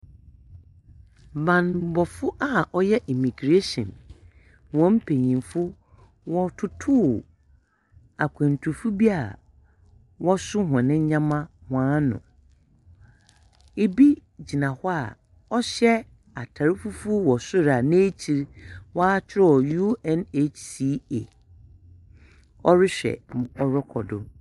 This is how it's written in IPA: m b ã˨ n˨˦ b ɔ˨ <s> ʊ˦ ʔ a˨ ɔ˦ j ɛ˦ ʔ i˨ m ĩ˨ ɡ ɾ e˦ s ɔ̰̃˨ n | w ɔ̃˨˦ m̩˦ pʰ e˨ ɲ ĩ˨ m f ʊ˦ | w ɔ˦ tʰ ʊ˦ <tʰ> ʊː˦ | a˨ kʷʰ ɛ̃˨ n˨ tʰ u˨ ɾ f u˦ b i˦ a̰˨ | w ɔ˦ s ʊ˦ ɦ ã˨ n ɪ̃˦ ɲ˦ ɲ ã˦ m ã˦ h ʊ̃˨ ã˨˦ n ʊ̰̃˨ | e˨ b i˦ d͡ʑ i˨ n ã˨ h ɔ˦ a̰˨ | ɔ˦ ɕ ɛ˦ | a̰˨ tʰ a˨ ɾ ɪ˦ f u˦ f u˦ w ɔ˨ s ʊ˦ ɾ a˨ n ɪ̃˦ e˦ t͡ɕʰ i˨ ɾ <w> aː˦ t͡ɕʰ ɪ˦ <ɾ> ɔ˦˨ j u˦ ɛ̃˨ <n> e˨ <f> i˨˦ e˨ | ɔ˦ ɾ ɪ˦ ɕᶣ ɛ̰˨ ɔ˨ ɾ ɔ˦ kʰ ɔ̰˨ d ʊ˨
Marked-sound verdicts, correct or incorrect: incorrect: f, correct, correct, correct, correct, incorrect: s

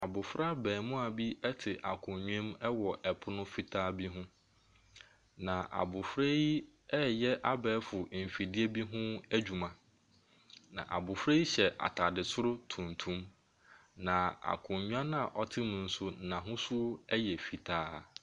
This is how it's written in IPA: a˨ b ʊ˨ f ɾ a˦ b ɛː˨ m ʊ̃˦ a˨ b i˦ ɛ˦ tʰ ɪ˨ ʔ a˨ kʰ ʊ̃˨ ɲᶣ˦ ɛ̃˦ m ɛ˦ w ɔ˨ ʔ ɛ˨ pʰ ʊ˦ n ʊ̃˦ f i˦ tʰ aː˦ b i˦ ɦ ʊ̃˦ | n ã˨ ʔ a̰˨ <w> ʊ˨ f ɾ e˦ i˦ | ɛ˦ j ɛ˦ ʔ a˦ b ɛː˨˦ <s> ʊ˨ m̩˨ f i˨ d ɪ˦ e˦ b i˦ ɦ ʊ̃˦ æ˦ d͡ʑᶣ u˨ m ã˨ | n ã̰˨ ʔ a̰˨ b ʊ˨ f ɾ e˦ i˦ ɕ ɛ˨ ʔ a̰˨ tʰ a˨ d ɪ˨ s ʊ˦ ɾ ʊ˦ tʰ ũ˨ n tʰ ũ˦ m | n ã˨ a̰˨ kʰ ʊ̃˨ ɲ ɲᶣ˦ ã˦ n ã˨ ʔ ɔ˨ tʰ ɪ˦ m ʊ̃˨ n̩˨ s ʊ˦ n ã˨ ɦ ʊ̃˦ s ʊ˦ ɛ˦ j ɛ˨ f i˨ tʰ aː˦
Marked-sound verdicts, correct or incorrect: incorrect: b, incorrect: f

